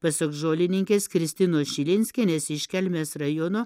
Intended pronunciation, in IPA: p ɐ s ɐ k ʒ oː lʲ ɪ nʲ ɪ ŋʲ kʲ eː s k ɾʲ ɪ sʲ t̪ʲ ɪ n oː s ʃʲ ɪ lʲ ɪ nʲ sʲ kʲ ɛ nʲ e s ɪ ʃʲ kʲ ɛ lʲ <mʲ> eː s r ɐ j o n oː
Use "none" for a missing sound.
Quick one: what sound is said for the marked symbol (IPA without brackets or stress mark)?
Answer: mʲ